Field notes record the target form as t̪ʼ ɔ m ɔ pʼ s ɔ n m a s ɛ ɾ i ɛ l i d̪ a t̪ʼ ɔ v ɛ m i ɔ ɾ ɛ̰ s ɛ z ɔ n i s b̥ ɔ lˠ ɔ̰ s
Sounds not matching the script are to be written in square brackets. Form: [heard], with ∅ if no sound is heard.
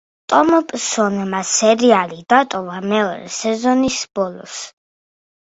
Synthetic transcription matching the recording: t̪ʼ ɔ m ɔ pʼ s ɔ n m a s ɛ ɾ i [a] l i d̪ a t̪ʼ ɔ v [a] m [ɛ] ɔ ɾ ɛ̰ s ɛ z ɔ n i s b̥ ɔ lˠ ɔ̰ s